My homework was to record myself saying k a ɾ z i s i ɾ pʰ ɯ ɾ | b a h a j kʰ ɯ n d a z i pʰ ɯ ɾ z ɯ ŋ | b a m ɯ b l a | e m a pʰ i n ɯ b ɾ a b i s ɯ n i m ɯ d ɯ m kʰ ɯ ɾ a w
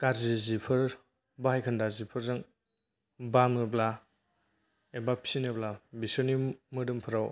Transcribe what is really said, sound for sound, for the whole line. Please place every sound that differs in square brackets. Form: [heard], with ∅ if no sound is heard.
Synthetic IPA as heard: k a ɾ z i [z] i [∅] pʰ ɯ ɾ | b a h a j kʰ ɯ n d a z i pʰ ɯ ɾ z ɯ ŋ | b a m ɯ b l a | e [b] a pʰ i n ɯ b [l] a b i s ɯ n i m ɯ d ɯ m [pʰ] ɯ ɾ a w